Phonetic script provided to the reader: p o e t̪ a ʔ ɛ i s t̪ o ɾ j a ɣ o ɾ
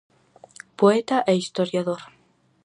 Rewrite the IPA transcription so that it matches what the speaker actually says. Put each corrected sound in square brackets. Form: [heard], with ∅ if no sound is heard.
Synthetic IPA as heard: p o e t̪ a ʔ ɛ i s t̪ o ɾ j a [ð] o ɾ